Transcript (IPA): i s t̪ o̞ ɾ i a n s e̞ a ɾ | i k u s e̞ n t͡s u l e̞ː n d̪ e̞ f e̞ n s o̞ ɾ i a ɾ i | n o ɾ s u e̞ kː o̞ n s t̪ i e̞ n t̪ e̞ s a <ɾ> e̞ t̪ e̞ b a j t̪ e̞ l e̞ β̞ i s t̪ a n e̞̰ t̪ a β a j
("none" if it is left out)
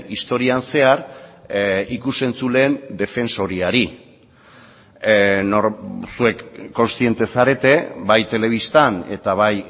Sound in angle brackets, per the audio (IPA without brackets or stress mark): ɾ